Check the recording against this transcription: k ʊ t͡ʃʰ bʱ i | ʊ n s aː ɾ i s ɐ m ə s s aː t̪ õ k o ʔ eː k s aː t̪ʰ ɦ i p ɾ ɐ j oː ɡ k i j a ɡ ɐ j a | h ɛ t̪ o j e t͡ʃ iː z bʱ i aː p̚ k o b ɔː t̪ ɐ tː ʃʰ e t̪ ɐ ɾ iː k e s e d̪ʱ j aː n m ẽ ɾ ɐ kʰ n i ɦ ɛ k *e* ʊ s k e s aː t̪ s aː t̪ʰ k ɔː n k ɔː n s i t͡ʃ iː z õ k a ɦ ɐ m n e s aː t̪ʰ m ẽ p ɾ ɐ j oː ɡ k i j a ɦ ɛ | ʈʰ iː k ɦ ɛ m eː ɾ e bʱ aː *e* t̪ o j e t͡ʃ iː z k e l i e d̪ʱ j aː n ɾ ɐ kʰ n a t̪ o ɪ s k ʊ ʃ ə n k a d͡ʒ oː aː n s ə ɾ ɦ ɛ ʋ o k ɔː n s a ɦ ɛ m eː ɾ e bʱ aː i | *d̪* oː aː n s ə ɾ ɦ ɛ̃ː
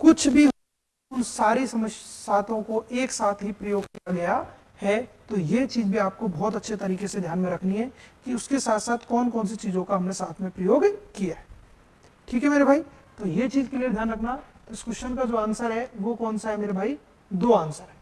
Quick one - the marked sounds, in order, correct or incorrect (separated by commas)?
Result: incorrect, incorrect, correct